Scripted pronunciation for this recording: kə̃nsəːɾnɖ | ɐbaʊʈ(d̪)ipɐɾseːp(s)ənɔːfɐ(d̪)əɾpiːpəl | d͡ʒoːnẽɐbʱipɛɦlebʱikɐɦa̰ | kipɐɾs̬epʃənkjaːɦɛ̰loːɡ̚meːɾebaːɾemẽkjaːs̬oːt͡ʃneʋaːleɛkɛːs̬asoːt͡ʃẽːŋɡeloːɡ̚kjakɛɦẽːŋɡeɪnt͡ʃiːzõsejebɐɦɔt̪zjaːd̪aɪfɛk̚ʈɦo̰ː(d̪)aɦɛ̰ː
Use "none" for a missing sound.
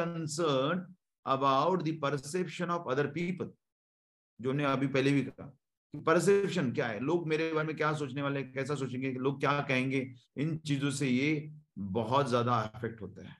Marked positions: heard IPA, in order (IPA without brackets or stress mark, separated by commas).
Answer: d̪, ʃ, d̪, t̪